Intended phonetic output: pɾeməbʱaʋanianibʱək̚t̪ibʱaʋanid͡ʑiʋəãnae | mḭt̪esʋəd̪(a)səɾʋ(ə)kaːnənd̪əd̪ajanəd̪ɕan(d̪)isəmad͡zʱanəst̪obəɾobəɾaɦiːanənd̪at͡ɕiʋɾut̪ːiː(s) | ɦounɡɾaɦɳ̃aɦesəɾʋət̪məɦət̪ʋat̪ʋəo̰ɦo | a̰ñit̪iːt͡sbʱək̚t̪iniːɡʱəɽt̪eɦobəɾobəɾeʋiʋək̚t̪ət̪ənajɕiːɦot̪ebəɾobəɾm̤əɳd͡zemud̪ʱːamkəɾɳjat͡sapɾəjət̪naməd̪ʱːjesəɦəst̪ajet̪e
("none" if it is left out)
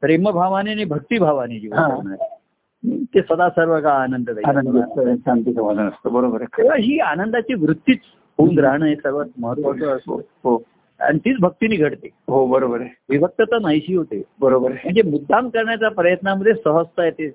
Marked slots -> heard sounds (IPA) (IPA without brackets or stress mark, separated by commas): a, ə, t̪, t͡s